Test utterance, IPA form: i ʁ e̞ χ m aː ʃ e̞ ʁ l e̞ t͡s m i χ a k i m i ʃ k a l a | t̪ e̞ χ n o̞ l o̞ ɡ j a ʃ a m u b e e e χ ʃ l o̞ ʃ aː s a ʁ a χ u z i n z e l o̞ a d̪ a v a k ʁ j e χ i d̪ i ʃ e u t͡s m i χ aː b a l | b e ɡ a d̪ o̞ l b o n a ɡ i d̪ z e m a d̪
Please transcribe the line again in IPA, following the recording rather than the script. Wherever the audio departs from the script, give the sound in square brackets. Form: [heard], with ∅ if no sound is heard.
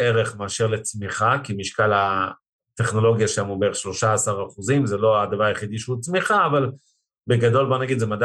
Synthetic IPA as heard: [e] ʁ e̞ χ m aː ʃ e̞ ʁ l e̞ t͡s m i χ a k i m i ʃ k a l a | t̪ e̞ χ n o̞ l o̞ ɡ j a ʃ a m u b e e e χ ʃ l o̞ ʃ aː s a ʁ a χ u z i [m] z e l o̞ a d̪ a v a [∅] ʁ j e χ i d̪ i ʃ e u t͡s m i χ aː [v] a l | b e ɡ a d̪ o̞ l b o n a ɡ i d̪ z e m a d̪